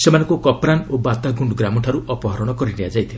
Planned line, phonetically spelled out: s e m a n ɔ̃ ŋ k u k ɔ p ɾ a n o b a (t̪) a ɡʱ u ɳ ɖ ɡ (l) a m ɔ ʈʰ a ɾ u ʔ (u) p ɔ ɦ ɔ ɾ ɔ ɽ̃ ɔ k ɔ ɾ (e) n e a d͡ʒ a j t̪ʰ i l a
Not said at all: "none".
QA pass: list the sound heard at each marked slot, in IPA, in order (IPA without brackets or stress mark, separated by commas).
t̪, ɾ, ɔ, i